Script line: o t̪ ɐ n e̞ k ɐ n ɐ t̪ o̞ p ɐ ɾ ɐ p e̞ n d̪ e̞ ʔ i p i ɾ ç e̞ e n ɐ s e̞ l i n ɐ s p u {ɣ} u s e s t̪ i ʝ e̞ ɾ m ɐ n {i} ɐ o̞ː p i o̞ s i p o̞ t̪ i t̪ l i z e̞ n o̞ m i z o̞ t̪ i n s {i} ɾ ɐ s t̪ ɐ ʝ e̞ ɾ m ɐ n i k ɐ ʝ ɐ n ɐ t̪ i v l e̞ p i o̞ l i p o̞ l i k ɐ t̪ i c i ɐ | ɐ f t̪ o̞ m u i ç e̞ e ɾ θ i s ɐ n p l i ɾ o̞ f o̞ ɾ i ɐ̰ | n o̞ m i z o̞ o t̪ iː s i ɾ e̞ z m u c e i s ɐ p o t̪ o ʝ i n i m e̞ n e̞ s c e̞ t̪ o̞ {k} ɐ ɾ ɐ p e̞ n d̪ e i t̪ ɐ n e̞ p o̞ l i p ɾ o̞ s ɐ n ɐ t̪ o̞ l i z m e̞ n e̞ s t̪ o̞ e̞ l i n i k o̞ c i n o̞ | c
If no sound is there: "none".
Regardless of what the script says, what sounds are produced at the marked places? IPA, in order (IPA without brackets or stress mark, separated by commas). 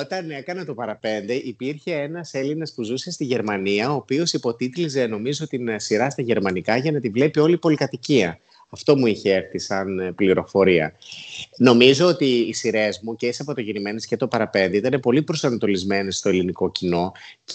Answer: z, i, i, p